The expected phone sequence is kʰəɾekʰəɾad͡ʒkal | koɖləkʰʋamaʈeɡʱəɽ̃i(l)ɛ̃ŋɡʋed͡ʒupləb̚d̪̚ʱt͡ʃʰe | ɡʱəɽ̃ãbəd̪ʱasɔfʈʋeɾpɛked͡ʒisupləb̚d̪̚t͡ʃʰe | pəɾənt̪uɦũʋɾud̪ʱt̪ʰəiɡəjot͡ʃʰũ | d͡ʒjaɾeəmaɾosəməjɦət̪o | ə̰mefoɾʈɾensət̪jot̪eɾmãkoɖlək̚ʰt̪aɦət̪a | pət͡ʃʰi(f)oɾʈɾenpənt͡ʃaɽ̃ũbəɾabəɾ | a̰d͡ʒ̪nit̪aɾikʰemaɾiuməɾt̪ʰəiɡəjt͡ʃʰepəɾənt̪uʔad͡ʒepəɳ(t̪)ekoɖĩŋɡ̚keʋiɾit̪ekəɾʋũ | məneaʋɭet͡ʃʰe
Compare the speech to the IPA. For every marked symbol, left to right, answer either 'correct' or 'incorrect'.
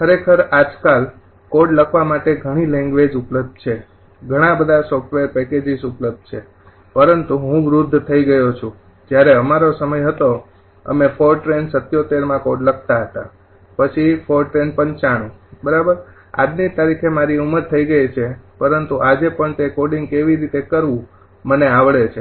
correct, correct, correct

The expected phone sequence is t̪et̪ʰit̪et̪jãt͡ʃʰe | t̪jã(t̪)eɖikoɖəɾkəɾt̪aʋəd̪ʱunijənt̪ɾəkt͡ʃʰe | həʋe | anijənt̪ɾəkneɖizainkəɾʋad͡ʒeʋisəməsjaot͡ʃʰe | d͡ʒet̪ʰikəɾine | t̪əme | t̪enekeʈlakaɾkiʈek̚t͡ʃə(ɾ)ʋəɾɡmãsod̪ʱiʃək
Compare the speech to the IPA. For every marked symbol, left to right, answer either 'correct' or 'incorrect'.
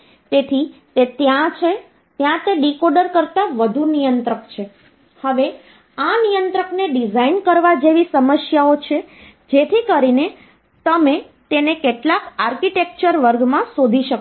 correct, correct

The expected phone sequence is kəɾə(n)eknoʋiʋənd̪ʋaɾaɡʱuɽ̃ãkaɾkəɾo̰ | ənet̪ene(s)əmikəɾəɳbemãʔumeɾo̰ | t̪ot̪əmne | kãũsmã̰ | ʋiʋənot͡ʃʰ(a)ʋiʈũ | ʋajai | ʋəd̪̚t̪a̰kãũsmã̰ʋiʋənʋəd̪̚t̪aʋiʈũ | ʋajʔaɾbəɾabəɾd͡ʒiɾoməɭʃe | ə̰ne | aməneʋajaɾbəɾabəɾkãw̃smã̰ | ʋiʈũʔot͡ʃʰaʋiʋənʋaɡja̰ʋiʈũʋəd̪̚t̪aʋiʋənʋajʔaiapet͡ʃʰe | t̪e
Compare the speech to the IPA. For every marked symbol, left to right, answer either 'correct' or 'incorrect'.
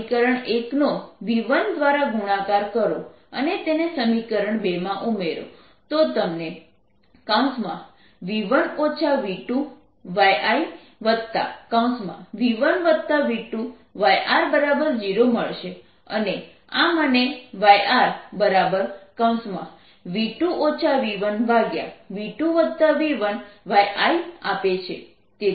incorrect: ɳ, correct, correct

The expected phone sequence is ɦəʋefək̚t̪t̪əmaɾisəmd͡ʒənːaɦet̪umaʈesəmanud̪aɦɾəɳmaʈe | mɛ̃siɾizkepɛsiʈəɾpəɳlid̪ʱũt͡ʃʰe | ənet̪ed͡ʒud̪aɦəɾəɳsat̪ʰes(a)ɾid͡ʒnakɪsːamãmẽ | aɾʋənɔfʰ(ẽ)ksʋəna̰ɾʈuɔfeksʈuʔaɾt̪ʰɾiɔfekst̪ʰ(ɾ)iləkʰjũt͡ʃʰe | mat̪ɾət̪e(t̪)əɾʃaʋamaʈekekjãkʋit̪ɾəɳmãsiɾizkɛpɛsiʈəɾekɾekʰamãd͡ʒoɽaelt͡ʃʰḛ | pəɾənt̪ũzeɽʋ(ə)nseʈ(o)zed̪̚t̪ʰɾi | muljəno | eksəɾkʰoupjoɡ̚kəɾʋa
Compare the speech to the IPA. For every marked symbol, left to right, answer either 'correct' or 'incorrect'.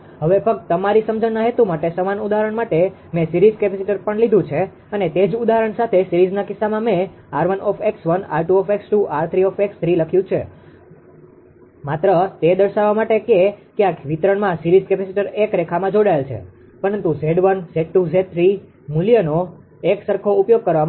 incorrect: i, incorrect: e, correct, incorrect: d̪, correct, incorrect: u

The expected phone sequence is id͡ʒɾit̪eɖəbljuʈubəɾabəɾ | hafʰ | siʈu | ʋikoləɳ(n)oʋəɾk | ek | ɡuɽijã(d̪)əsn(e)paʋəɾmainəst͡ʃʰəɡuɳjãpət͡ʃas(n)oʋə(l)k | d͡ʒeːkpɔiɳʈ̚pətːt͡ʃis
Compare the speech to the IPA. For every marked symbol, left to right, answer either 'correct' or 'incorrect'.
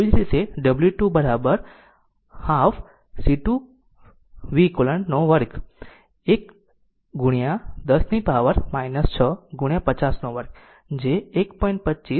correct, correct, incorrect: i, correct, incorrect: ɾ

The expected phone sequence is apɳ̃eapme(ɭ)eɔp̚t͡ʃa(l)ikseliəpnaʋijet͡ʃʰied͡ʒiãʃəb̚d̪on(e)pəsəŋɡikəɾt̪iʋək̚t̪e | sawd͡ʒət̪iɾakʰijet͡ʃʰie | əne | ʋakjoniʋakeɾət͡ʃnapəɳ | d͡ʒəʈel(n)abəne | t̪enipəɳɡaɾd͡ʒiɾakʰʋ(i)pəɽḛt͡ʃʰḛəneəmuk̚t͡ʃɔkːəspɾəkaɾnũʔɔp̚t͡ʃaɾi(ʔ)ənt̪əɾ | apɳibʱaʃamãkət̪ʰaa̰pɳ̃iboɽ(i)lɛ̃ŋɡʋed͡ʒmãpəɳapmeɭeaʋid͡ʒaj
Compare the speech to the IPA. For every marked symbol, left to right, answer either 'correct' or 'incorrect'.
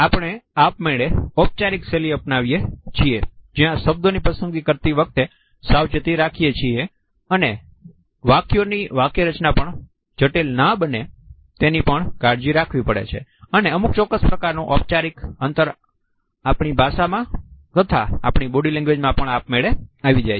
correct, incorrect: ɾ, incorrect: i, correct, correct, incorrect: k, correct

